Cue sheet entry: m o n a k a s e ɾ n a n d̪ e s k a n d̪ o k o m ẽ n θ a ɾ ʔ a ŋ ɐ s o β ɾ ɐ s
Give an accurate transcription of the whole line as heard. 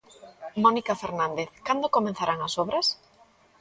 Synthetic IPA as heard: m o n i k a f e ɾ n a n d̪ e θ k a n d̪ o k o m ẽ n θ a ɾ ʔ a ŋ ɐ s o β ɾ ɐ s